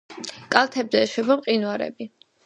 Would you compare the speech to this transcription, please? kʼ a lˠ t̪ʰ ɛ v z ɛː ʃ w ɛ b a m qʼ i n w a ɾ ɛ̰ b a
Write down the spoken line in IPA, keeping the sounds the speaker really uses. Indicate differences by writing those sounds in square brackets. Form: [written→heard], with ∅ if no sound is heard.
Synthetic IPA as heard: kʼ a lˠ t̪ʰ ɛ [v→b] z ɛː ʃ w ɛ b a m qʼ i n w a ɾ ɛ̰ b [a→i]